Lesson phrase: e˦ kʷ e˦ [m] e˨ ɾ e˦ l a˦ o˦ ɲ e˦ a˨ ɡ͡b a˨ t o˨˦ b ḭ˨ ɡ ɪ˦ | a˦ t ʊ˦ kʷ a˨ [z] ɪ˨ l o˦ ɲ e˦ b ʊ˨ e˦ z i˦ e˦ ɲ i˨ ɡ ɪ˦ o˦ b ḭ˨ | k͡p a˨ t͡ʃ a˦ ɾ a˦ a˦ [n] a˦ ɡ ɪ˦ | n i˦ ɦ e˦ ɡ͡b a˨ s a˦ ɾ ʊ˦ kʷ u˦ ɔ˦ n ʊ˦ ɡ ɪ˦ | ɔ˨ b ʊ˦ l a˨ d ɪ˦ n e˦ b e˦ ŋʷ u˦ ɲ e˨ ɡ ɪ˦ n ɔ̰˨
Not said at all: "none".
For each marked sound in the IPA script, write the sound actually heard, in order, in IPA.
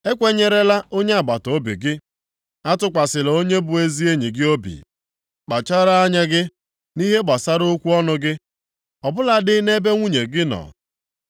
ɲ, s, ɲ

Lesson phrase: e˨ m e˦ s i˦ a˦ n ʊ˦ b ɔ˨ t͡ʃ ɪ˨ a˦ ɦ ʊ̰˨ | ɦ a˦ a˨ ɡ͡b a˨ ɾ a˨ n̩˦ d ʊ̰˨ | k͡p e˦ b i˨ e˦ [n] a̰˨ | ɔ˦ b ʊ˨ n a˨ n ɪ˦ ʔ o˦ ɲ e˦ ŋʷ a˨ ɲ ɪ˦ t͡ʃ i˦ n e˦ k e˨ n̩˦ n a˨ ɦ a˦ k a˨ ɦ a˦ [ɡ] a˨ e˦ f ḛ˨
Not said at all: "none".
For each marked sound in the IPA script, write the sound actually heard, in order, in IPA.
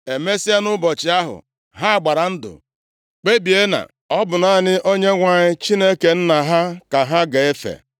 n, ɡ

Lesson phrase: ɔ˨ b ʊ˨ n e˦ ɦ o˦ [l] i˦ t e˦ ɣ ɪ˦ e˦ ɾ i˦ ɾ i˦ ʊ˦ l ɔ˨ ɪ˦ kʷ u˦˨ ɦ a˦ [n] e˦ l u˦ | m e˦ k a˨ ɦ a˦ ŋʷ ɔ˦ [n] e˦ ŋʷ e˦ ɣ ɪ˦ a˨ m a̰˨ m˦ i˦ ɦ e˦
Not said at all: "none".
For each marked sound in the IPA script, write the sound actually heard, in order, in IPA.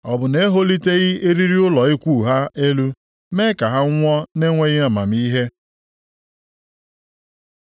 l, none, n

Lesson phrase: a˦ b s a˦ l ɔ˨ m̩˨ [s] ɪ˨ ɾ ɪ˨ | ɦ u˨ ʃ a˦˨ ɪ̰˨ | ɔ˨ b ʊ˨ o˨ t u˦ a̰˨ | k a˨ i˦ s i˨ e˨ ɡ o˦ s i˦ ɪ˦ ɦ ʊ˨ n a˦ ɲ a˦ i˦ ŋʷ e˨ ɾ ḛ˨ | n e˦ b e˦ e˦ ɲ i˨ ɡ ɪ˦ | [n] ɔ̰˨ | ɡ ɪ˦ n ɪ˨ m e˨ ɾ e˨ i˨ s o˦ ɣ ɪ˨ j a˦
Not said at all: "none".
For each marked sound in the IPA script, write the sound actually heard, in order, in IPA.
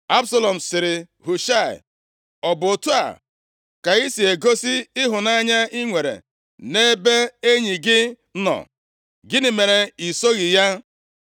s, n

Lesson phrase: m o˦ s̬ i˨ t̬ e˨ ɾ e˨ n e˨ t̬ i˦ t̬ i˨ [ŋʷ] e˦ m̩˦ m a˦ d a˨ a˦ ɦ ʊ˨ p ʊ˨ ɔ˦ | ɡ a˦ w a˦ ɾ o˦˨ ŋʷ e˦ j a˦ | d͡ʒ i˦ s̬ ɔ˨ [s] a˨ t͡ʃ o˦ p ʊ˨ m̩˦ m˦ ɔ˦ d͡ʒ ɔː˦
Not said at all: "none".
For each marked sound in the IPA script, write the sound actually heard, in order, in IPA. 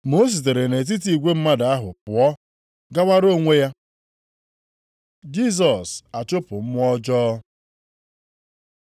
ɡʷ, s

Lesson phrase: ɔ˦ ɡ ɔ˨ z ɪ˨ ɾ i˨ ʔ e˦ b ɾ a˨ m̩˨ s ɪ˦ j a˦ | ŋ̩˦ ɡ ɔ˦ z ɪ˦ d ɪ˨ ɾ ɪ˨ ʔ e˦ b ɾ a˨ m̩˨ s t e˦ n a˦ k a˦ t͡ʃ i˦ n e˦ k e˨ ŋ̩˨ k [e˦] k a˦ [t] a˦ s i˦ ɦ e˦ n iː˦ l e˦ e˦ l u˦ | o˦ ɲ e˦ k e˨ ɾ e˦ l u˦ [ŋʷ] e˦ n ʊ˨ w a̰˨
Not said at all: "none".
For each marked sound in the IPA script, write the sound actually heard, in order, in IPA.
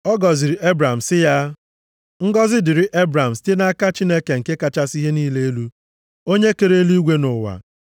e˦, t͡ʃ, ɡʷ

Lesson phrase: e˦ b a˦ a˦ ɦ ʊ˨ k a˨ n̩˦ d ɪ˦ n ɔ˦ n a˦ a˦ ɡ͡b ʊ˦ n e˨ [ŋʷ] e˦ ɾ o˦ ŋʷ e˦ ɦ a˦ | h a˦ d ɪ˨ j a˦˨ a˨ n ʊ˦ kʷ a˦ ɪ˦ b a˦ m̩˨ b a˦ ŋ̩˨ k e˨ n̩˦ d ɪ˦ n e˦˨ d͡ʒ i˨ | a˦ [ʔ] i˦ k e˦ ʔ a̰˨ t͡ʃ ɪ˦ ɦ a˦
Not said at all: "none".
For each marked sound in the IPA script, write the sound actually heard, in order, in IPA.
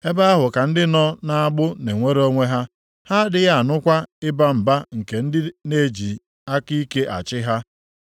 ŋʷ, k

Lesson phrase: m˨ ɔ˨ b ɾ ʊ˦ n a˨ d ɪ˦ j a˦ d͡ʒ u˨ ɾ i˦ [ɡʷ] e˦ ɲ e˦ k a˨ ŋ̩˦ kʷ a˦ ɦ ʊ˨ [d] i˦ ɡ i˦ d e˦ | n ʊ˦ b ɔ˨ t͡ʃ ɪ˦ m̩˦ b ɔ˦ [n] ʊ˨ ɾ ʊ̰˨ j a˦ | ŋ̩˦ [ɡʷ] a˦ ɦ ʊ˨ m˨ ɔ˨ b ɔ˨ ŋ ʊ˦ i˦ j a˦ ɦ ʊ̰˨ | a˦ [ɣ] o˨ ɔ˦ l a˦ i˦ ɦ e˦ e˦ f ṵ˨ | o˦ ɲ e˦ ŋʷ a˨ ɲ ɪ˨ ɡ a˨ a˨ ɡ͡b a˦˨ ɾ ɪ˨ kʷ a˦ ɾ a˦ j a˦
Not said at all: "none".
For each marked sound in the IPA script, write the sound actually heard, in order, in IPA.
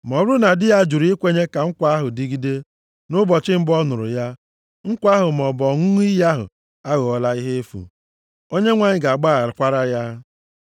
kʷ, d, n, kʷ, ɣ

